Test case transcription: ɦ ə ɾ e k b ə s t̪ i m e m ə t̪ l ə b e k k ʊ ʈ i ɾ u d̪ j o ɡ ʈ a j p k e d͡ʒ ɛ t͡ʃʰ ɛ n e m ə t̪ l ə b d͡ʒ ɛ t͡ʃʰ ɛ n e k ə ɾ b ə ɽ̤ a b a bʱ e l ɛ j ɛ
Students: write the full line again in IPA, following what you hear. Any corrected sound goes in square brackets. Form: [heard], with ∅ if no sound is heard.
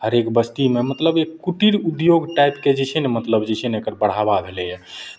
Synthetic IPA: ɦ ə ɾ e k b ə s t̪ i m e m ə t̪ l ə b e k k [u] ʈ i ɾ u d̪ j o ɡ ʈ a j p k e d͡ʒ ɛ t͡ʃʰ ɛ n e m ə t̪ l ə b d͡ʒ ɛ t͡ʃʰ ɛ n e k ə ɾ b ə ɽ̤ a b a bʱ e l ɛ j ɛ